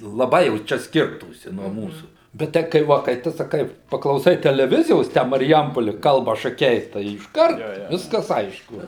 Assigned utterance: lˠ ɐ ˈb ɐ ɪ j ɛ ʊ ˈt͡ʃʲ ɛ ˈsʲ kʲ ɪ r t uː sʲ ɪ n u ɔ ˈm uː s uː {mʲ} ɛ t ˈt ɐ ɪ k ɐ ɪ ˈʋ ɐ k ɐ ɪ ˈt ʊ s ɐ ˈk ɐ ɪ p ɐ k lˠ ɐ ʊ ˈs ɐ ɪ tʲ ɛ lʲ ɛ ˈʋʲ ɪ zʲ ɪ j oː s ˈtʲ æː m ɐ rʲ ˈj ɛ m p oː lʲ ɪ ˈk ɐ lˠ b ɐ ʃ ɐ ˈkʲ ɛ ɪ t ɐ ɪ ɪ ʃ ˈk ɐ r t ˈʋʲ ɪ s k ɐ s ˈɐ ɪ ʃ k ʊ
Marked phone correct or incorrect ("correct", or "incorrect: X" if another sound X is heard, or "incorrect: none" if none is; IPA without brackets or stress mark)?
incorrect: bʲ